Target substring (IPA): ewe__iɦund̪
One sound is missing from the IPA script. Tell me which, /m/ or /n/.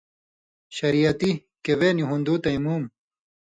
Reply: n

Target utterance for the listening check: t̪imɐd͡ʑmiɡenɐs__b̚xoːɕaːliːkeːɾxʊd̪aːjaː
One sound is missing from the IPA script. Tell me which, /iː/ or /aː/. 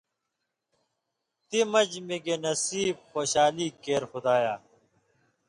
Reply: iː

